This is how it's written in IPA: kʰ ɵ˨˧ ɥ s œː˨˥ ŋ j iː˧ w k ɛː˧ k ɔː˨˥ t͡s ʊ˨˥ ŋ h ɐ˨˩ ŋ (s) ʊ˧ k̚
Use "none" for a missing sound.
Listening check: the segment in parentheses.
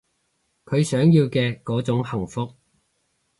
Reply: f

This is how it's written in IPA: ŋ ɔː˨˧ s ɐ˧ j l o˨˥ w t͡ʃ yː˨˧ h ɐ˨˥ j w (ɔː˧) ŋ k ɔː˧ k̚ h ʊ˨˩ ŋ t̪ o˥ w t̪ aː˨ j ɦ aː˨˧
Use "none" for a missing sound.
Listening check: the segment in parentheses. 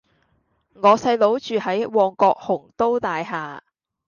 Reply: ɔː˧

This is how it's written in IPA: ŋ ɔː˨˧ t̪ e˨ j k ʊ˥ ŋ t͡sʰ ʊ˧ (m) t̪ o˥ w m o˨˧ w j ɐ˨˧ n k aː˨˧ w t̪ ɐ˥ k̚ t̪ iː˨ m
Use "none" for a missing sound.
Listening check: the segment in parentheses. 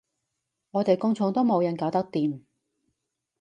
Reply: ŋ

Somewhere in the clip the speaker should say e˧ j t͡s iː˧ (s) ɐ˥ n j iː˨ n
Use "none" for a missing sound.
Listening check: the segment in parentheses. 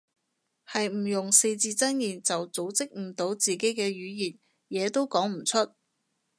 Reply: t͡s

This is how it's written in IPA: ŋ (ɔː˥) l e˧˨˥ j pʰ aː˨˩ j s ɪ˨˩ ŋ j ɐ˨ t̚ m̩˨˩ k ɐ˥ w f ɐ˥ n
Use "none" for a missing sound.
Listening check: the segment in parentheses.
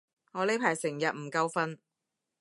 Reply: ɔː˨˧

